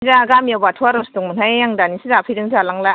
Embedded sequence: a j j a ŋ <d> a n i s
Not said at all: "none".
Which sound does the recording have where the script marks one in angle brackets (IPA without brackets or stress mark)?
d